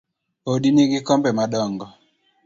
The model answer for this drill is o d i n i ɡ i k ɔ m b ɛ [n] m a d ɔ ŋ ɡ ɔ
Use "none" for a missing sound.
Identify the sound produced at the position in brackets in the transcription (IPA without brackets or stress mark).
none